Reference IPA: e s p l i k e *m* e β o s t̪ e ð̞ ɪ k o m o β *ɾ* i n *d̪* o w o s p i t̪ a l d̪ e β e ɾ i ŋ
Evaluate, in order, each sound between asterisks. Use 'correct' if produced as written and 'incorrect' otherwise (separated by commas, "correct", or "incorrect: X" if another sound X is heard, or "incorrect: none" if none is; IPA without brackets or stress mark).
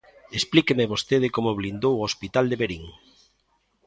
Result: correct, incorrect: l, correct